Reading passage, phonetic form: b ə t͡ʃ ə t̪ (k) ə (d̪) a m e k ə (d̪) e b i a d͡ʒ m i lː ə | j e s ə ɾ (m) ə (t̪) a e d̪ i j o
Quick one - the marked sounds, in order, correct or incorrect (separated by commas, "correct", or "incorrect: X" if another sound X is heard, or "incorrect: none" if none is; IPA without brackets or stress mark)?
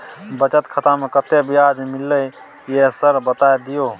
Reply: incorrect: kʰ, incorrect: t̪, incorrect: t̪, incorrect: b, correct